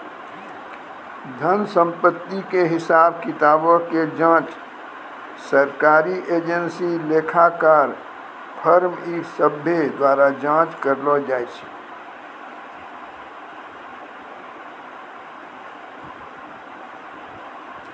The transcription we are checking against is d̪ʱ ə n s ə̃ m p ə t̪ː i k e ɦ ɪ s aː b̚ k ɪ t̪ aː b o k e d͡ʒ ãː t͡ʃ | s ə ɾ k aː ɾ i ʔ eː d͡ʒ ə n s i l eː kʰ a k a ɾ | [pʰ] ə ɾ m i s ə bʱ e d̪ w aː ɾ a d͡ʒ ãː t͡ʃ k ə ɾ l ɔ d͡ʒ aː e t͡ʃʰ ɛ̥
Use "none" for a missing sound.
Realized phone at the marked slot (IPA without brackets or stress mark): pʰ